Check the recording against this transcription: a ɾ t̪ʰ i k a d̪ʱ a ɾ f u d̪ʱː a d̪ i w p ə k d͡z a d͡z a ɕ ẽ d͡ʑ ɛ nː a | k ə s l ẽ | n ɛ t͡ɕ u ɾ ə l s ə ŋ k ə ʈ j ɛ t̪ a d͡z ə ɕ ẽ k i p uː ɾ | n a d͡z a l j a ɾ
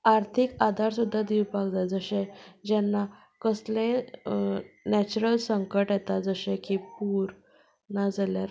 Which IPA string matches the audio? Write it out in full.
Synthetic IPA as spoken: a ɾ t̪ʰ i k a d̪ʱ a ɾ s u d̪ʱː a d̪ i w p a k d͡z a d͡z ə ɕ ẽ d͡ʑ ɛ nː a | k ə s l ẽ | n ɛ t͡ɕ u ɾ ə l s ə ŋ k ə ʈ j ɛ t̪ a d͡z ə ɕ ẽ k i p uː ɾ | n a d͡z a l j a ɾ